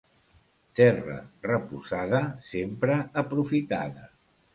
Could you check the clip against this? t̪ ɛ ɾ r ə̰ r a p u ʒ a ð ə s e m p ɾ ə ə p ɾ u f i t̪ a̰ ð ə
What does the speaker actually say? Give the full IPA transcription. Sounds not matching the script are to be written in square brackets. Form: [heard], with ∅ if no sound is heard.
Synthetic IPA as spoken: t̪ ɛ [∅] r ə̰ r [ə] p u [z] a ð ə s e m p ɾ ə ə p ɾ u f i t̪ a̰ ð ə